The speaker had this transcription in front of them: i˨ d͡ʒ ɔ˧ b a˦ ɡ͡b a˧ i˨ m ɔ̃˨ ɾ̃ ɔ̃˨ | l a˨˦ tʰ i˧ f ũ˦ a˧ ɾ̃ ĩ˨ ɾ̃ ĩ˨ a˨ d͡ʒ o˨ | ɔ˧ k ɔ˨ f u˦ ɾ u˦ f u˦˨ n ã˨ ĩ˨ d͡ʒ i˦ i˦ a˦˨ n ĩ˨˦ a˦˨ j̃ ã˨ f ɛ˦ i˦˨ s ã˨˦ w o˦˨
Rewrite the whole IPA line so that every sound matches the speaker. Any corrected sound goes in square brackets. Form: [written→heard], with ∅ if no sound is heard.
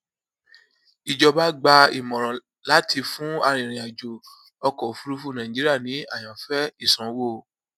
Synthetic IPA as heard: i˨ d͡ʒ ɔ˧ b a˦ ɡ͡b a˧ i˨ m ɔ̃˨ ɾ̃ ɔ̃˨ | l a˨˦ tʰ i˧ f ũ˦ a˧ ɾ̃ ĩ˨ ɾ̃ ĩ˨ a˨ d͡ʒ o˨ | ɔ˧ k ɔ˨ f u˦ ɾ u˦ f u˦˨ n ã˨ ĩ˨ d͡ʒ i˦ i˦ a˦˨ n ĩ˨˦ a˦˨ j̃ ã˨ f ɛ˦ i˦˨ s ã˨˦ w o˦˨